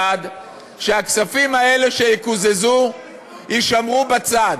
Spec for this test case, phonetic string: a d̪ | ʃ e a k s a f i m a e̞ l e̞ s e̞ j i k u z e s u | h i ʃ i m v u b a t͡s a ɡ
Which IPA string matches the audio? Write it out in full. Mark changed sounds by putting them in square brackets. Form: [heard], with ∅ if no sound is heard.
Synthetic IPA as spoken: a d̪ | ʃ e a k s a f i m a e̞ l e̞ [ʃ] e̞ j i k u z e [z] u | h i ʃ [a] m [ʁ] u b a t͡s a [d]